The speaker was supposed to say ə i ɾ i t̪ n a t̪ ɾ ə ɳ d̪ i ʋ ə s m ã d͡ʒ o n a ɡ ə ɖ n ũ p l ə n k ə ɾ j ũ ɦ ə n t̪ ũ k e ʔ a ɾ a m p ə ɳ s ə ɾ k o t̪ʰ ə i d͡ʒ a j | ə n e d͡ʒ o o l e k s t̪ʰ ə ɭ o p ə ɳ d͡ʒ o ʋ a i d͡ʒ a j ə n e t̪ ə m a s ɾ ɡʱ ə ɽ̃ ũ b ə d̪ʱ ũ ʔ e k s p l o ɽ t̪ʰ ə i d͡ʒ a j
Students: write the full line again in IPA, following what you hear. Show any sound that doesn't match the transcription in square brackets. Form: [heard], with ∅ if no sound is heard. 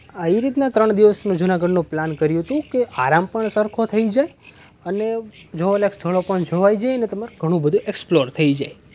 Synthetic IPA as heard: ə i ɾ i t̪ n a t̪ ɾ ə ɳ d̪ i ʋ ə s m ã d͡ʒ [u] n a ɡ ə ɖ n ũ p l [a] n k ə ɾ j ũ ɦ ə [∅] t̪ ũ k e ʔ a ɾ a m p ə ɳ s ə ɾ [kʰ] o t̪ʰ ə i d͡ʒ a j | ə n e d͡ʒ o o l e k s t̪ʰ ə ɭ o p ə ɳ d͡ʒ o ʋ a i d͡ʒ a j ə n e t̪ ə m a [∅] ɾ ɡʱ ə ɽ̃ ũ b ə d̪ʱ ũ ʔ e k s p l o [ɾ] t̪ʰ ə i d͡ʒ a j